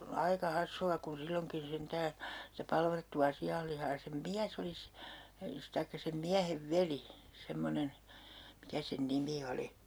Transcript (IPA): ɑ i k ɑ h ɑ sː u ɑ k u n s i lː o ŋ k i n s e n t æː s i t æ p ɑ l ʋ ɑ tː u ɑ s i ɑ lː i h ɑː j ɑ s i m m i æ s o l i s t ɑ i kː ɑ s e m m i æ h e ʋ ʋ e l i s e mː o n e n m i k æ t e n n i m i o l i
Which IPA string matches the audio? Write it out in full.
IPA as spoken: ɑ i k ɑ h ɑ sː u ɑ k u n s i lː o ŋ k i n s e n t æː s i t æ p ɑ l ʋ ɑ tː u ɑ s i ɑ lː i h ɑː j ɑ s e m m i æ s o l i s t ɑ i kː ɑ s e m m i æ h e ʋ ʋ e l i s e mː o n e n m i k æ s e n n i m i o l i